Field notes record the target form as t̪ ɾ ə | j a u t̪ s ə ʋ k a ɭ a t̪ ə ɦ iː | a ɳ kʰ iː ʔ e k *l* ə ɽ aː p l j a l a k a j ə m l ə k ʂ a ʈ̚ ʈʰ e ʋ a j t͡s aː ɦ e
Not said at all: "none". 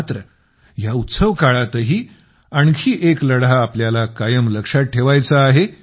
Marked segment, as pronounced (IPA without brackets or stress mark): l